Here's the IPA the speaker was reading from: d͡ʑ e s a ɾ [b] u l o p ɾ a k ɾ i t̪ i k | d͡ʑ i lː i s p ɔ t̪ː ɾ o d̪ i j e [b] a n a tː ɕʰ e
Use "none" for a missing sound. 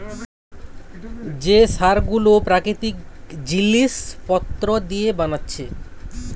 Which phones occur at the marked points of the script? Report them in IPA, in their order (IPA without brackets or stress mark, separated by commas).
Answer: ɡ, b